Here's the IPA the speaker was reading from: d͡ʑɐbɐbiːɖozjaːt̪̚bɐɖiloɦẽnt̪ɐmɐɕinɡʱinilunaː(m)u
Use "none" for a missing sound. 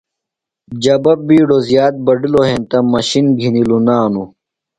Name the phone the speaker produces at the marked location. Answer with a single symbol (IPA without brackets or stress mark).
n